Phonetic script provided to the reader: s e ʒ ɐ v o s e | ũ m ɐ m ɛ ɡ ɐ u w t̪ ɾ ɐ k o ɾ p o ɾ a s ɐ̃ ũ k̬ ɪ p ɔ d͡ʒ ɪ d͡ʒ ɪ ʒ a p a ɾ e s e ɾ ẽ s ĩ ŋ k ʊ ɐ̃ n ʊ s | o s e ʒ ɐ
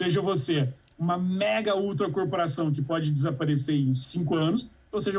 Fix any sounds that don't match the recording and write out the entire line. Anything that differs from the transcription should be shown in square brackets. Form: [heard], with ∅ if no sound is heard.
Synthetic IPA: s e ʒ ɐ v o s e | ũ m ɐ m ɛ ɡ ɐ u w t̪ ɾ ɐ k o ɾ p o ɾ a s ɐ̃ [w̃] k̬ ɪ p ɔ d͡ʒ ɪ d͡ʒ ɪ [z] a p a ɾ e s e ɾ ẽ s ĩ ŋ k ʊ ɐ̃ n ʊ s | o s e ʒ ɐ